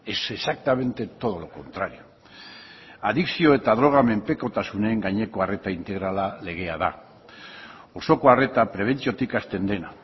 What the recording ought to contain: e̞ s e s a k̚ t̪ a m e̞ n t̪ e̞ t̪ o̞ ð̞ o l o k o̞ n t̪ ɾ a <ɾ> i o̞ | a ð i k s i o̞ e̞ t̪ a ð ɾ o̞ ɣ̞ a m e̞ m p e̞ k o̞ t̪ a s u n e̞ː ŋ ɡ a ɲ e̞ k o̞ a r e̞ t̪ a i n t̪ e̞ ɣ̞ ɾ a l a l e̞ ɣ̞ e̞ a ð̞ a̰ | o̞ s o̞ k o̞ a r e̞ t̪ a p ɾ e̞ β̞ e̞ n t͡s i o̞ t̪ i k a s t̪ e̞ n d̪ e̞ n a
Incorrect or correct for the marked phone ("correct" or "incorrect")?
correct